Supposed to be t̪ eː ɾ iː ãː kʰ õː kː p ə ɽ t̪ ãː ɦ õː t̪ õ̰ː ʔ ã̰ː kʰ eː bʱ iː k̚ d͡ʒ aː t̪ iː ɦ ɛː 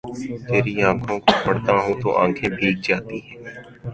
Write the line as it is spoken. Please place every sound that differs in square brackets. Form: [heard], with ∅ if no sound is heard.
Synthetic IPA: t̪ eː ɾ iː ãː kʰ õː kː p ə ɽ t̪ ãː ɦ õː t̪ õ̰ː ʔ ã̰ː kʰ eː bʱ iː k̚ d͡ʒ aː t̪ iː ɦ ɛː